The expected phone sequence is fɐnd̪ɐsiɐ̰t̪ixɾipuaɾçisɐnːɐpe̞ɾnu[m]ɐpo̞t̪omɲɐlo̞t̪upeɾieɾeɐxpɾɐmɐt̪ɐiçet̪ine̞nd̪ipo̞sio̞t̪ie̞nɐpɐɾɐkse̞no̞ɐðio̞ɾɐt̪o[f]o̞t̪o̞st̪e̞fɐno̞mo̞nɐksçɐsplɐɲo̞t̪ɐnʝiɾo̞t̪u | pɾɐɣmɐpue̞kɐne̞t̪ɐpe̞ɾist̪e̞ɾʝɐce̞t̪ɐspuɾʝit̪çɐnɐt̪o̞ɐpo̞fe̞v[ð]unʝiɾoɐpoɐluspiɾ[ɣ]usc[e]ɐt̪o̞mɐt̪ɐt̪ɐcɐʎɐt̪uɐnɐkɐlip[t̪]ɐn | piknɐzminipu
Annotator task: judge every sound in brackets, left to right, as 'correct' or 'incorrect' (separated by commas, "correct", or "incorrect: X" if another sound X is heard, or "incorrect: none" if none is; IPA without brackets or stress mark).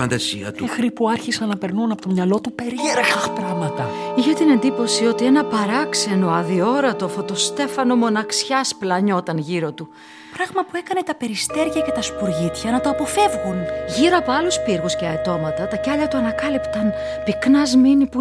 incorrect: n, correct, incorrect: ɣ, correct, correct, correct